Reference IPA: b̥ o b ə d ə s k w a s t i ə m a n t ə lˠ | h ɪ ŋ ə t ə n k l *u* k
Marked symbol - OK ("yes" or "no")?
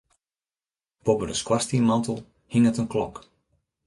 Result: no